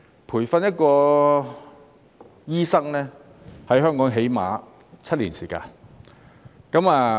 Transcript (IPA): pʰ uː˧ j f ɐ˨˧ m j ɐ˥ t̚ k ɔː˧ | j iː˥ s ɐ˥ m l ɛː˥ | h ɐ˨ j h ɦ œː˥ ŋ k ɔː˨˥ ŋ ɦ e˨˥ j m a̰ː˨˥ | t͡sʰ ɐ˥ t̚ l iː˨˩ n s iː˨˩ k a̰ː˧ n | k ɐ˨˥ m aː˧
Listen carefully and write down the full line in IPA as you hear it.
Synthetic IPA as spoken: pʰ uː˨˩ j f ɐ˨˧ n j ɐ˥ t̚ k ɔː˧ | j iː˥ s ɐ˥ ŋ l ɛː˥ | h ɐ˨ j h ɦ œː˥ ŋ k ɔː˨˥ ŋ ɦ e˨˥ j m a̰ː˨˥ | t͡sʰ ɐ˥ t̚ l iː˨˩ n s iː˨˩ k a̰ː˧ n | k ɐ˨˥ m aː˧